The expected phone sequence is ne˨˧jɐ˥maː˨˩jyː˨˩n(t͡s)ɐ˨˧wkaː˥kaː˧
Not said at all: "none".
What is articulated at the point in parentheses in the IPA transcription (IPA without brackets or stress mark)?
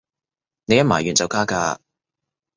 t͡s